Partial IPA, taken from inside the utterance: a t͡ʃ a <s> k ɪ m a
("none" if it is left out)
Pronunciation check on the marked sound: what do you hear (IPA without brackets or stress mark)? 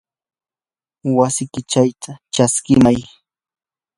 s